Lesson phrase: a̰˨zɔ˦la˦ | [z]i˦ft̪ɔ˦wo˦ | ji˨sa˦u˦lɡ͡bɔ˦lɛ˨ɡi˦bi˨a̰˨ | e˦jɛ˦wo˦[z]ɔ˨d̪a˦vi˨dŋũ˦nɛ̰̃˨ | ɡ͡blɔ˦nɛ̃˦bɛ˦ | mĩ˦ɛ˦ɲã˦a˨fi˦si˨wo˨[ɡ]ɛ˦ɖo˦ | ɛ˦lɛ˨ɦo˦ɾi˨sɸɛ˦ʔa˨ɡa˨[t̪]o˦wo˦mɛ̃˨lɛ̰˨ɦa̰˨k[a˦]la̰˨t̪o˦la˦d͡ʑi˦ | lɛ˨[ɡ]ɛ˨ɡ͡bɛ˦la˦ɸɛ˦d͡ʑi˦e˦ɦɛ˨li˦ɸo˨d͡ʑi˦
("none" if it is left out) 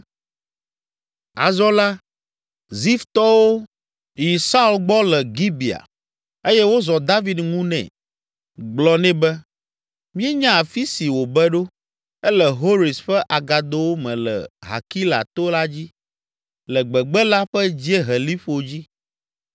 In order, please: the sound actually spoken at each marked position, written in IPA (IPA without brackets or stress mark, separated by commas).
z, z, b, d̪, i˦, ɡ͡b